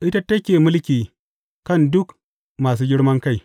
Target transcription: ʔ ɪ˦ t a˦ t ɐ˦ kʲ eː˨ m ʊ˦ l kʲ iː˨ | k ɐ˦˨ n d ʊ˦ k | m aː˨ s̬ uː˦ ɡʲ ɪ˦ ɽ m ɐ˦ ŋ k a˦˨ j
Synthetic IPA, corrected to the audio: ʔ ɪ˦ t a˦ t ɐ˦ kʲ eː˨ m ʊ˦ l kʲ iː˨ | k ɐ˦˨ n d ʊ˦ k | m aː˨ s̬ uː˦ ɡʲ ɪ˦ ɽ m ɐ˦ ŋ k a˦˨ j